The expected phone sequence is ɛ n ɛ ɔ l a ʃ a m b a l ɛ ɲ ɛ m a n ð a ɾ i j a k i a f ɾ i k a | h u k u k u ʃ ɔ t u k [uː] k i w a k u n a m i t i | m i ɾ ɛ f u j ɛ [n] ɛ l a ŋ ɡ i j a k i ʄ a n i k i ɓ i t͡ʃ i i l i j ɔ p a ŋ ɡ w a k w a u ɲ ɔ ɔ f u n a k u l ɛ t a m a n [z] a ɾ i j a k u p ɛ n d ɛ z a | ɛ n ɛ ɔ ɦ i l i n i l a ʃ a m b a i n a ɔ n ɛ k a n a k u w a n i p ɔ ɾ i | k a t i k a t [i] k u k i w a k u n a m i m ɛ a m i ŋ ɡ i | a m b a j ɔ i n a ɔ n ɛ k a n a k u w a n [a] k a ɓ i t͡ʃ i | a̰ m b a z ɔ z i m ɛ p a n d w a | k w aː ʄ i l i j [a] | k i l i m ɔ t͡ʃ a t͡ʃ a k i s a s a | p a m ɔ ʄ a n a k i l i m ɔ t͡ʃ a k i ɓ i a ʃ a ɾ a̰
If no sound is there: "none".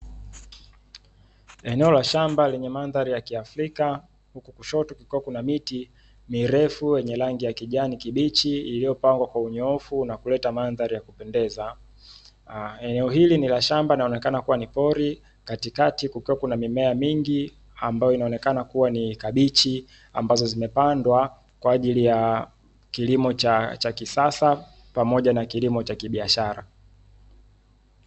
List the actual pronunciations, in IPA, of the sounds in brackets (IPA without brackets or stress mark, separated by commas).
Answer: u, ɲ, ð, i, i, a